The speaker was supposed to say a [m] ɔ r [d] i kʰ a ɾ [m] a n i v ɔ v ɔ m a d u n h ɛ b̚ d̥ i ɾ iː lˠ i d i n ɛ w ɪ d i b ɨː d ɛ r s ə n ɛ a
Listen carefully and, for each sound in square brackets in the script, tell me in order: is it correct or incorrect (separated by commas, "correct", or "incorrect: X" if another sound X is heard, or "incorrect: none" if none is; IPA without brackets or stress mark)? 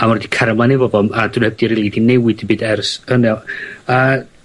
correct, correct, correct